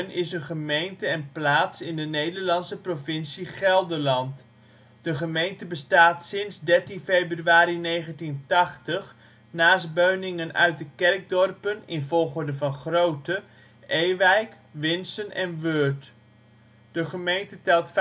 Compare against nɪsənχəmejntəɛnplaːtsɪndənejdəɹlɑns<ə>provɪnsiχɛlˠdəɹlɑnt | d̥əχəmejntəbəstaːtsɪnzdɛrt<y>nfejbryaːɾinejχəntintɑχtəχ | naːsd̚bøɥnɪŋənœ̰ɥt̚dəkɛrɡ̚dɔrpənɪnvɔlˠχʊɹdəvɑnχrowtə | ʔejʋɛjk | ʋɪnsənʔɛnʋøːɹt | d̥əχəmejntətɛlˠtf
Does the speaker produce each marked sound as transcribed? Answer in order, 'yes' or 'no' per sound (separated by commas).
yes, no